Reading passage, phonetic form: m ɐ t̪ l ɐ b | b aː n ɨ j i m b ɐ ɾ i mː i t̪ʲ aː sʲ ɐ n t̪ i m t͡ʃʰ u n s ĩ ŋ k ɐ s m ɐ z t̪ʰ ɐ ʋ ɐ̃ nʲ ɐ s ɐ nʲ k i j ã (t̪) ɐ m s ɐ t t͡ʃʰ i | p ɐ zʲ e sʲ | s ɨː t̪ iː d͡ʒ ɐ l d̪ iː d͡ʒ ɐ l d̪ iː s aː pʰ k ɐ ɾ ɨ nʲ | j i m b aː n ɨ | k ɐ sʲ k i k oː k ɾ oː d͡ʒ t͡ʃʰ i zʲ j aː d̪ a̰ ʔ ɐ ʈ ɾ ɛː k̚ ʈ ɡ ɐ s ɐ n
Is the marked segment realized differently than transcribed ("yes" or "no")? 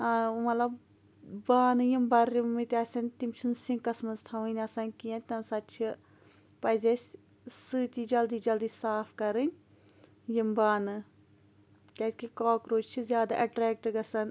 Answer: no